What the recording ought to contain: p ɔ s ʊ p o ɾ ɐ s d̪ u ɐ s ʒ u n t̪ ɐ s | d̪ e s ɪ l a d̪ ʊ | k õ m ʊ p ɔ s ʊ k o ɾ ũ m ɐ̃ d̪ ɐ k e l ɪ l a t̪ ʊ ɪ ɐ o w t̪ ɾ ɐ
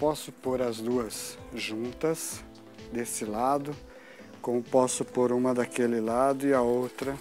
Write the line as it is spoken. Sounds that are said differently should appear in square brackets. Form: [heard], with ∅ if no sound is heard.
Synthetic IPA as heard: p ɔ s ʊ p o ɾ ɐ [z] d̪ u ɐ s ʒ [ũ] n t̪ ɐ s | d̪ e s ɪ l a d̪ ʊ | k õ m ʊ p ɔ s ʊ [p] o ɾ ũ m [ɐ] d̪ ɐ k e l ɪ l a [d̪] ʊ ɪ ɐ o w t̪ ɾ ɐ